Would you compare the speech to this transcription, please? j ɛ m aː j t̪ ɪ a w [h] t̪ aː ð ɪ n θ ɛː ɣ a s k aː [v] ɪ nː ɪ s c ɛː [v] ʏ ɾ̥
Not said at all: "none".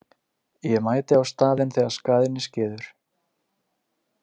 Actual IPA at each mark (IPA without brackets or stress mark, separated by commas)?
s, ð, ð